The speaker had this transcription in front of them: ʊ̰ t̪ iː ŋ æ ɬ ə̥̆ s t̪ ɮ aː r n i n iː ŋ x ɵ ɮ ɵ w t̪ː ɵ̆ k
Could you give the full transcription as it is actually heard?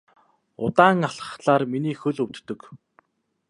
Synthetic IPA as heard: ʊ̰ t̪ aː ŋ a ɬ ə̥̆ χ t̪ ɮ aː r m i n iː x ɵ ɮ ɵ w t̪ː ɵ̆ k